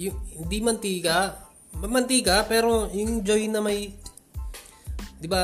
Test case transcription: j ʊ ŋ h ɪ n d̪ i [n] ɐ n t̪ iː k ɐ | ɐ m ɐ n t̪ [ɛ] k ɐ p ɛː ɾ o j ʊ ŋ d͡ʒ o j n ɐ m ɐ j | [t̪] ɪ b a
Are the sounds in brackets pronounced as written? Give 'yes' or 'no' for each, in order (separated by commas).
no, no, no